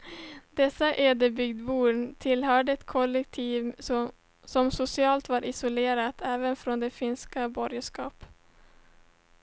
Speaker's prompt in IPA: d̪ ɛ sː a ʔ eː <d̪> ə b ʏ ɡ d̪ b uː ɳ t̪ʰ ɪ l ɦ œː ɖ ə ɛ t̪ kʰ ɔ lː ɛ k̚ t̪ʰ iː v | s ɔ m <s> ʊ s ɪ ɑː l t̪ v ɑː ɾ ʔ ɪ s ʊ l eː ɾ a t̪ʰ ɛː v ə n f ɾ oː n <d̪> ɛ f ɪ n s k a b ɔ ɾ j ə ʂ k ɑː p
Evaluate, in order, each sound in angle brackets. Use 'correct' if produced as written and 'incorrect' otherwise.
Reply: correct, correct, correct

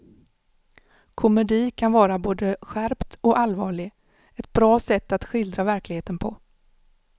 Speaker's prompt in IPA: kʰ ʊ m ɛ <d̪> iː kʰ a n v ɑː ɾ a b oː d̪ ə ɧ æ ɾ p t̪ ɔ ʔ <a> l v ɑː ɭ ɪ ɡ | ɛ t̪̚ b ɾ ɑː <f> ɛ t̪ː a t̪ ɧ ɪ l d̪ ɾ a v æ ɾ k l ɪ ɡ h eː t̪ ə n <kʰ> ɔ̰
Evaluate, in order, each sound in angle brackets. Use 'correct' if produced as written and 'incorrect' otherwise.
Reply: correct, correct, incorrect, incorrect

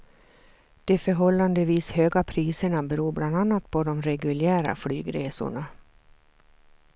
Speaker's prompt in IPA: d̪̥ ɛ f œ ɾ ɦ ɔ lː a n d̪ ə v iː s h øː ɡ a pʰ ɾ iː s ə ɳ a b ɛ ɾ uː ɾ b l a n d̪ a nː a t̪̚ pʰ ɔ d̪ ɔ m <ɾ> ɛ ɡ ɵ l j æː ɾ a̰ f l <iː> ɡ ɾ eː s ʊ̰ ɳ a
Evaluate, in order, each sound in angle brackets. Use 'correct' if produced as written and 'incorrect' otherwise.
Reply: correct, incorrect

